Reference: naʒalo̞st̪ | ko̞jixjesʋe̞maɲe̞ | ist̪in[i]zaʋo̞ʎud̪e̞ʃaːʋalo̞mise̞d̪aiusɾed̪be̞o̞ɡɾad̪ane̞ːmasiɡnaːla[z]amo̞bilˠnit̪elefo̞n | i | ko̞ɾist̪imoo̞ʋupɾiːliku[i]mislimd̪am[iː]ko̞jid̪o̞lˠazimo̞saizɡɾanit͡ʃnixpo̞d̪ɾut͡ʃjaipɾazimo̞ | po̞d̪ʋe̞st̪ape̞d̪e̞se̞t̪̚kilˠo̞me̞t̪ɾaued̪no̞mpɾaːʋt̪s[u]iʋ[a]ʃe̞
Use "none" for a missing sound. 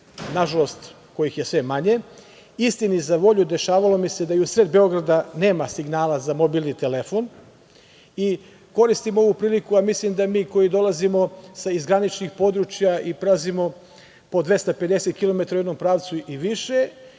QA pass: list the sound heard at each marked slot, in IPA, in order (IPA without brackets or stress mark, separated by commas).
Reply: i, z, a, iː, u, i